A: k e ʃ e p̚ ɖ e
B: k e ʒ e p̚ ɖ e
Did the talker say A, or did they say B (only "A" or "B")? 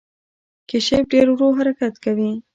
A